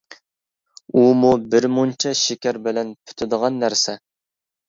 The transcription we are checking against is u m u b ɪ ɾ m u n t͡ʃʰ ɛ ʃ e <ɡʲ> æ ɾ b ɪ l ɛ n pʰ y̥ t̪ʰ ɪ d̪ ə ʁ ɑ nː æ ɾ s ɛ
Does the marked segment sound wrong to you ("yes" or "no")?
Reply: yes